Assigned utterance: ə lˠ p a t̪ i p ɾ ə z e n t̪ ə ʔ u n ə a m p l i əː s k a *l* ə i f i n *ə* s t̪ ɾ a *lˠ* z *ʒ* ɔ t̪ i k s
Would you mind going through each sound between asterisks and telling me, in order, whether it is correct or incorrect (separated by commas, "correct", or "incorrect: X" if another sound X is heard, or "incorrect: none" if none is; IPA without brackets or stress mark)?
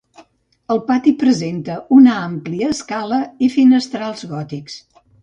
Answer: correct, correct, correct, incorrect: ɣ